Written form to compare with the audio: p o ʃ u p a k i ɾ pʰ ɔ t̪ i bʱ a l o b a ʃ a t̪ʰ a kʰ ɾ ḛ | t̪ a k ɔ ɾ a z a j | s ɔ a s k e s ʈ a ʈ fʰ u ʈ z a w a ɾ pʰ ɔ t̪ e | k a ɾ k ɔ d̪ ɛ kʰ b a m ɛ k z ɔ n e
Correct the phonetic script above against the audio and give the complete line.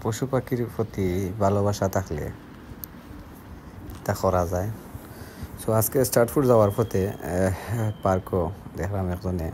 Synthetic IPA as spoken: p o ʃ u p a k i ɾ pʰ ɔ t̪ i bʱ a l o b a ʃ a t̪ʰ a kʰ l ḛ | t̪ a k ɔ ɾ a z a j | s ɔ a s k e s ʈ a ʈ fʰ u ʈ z a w a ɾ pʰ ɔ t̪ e | p a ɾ k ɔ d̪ ɛ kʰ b a m ɛ k z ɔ n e